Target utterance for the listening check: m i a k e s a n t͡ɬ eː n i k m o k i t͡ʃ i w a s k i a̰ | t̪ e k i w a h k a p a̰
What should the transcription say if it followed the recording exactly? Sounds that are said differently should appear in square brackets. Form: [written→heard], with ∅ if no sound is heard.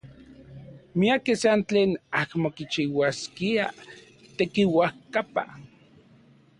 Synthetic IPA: m i a k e s a n t͡ɬ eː n [i→a] k m o k i t͡ʃ i w a s k i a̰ | t̪ e k i w a h k a p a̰